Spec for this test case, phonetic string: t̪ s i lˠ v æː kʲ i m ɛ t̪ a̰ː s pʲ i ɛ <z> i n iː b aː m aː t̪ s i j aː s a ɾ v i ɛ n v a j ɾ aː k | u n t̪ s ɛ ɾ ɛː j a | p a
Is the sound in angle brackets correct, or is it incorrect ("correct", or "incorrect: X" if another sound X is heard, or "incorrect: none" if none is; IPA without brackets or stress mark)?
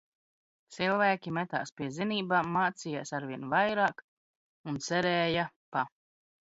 correct